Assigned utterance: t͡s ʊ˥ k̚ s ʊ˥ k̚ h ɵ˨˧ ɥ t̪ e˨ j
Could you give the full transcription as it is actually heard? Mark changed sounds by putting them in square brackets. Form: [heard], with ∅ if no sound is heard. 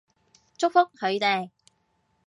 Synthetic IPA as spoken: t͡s ʊ˥ k̚ [f] ʊ˥ k̚ h ɵ˨˧ ɥ t̪ e˨ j